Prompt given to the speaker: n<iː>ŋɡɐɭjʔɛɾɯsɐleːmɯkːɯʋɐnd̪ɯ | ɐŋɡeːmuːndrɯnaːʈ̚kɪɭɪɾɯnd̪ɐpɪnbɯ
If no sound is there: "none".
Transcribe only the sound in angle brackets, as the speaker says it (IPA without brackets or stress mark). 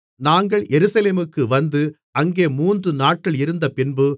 aː